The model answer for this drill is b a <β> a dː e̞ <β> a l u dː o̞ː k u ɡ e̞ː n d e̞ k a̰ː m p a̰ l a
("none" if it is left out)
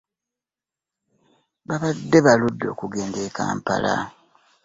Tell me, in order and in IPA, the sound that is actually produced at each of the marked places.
β, β

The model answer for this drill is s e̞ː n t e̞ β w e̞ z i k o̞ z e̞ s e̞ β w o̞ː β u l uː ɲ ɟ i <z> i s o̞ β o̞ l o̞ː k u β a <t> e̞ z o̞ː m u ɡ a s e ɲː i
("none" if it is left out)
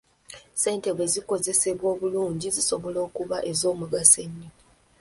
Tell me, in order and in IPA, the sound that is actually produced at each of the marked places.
z, ʔ

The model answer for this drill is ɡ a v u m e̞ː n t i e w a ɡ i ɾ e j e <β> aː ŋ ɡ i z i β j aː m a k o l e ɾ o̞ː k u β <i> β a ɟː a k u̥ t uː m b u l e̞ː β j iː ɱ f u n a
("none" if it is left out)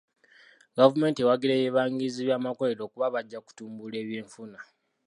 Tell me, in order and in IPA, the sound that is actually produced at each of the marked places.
β, a

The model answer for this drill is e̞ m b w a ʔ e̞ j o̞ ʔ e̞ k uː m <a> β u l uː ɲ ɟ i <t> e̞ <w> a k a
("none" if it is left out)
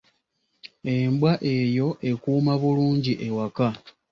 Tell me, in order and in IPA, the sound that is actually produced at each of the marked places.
a, ʔ, w

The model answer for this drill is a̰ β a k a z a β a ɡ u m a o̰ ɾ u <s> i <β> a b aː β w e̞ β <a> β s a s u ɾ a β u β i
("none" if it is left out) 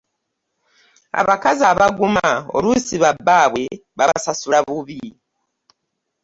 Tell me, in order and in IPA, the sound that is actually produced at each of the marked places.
s, β, a

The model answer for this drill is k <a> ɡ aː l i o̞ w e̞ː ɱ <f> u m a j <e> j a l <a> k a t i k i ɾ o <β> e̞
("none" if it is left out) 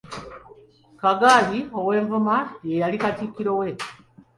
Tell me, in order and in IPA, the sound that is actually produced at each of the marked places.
a, v, e, i, w

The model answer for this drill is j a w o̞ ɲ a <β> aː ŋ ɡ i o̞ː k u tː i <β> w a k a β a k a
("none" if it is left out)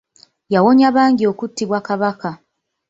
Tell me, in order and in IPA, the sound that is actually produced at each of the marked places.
β, β

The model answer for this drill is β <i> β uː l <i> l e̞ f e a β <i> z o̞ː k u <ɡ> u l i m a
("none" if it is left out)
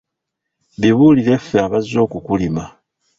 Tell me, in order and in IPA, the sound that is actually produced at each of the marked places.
i, i, a, k

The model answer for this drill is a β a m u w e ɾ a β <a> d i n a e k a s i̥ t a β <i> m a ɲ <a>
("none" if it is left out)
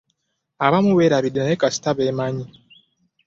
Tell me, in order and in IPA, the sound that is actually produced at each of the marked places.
i, e, i

